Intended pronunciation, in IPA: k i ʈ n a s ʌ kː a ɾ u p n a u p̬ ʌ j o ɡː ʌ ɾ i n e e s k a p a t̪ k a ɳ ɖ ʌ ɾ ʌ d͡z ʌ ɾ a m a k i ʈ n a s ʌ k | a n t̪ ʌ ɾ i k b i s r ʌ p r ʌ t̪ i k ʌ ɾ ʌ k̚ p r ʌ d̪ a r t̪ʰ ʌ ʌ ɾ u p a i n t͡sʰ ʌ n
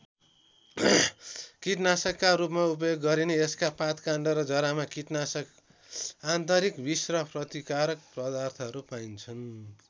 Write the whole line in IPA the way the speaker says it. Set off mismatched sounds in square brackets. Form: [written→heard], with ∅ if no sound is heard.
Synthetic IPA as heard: k i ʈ n a s ʌ kː a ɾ u p [n→m] a u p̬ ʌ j o ɡː ʌ ɾ i n e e s k a p a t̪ k a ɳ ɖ ʌ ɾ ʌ d͡z ʌ ɾ a m a k i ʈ n a s ʌ k | a n t̪ ʌ ɾ i k b i s r ʌ p r ʌ t̪ i k [ʌ→a] ɾ ʌ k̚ p r ʌ d̪ a r t̪ʰ ʌ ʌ ɾ u p a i n t͡sʰ ʌ n